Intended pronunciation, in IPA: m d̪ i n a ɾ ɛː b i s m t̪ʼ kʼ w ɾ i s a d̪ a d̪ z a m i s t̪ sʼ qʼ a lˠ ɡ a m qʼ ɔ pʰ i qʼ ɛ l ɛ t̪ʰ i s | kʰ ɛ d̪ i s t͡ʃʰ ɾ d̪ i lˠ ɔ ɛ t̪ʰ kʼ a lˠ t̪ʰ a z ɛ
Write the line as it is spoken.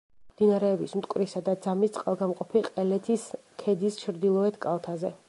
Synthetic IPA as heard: m d̪ i n a ɾ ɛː b i s m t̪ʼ kʼ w ɾ i s a d̪ a d̪ z a m i s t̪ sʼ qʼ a lˠ ɡ a m qʼ ɔ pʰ i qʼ ɛ l ɛ t̪ʰ i s | kʰ ɛ d̪ i s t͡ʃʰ ɾ d̪ i lˠ ɔ ɛ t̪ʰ kʼ a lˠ t̪ʰ a z ɛ